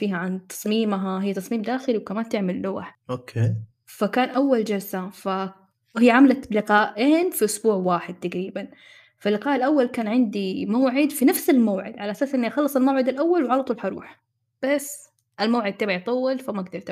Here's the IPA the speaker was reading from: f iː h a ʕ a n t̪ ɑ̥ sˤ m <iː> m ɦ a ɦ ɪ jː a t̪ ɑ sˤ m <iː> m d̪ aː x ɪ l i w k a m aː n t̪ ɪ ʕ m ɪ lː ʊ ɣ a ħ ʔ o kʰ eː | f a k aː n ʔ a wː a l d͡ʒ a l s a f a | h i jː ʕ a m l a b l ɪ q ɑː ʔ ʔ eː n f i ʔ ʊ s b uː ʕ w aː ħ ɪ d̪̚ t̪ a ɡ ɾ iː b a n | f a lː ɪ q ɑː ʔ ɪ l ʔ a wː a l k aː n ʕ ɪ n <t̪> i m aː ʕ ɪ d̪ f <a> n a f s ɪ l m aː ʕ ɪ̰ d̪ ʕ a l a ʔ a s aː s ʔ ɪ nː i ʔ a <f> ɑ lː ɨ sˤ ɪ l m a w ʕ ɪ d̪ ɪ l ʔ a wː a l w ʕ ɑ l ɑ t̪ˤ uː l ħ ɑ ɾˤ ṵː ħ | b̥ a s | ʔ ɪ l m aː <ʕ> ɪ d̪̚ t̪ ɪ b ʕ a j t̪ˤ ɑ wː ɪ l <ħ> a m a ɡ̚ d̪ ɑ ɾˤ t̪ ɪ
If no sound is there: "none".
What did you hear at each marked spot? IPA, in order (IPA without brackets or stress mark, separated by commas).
iː, iː, d̪, i, x, ʕ, f